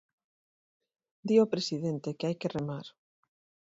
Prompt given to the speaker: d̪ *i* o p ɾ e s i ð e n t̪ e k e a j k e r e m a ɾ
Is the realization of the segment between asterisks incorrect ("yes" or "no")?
no